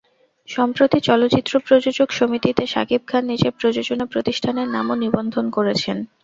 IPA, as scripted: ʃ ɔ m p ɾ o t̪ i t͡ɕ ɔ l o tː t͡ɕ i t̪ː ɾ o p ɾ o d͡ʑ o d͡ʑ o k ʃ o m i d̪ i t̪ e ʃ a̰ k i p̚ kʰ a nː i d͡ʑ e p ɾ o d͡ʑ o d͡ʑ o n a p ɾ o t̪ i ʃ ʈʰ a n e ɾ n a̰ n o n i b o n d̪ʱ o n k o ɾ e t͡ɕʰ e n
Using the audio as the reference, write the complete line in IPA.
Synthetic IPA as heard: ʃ ɔ m p ɾ o t̪ i t͡ɕ ɔ l o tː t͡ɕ i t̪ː ɾ o p ɾ o d͡ʑ o d͡ʑ o k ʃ o m i t̪ i t̪ e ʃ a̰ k i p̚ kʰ a nː i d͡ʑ e p ɾ o d͡ʑ o d͡ʑ o n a p ɾ o t̪ i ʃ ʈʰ a n e ɾ n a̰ m o n i b o n d̪ʱ o n k o ɾ e t͡ɕʰ e n